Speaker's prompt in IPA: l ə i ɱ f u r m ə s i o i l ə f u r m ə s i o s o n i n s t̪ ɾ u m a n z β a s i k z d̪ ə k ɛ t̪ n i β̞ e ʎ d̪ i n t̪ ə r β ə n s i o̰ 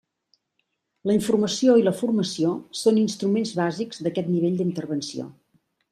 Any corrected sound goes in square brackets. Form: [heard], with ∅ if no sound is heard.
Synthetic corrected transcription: l ə i ɱ f u r m ə s i o i l ə f u r m ə s i o s o n i n s t̪ ɾ u m [e] n z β a [z] i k z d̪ ə k ɛ t̪ n i β̞ e ʎ d̪ i n t̪ ə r β ə n s i o̰